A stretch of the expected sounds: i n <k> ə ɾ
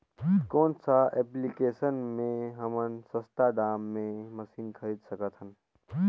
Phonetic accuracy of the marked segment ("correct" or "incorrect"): incorrect